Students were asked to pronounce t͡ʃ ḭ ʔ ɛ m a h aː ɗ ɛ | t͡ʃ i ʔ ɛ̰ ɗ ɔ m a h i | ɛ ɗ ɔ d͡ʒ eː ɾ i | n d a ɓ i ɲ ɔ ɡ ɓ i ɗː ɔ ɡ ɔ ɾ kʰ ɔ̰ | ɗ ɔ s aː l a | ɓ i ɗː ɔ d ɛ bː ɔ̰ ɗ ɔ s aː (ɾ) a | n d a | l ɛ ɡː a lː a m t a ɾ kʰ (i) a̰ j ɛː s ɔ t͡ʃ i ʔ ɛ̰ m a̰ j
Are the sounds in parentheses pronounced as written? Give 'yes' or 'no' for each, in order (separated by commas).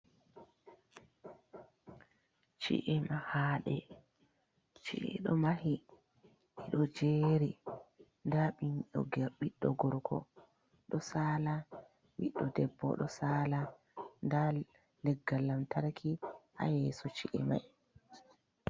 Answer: no, yes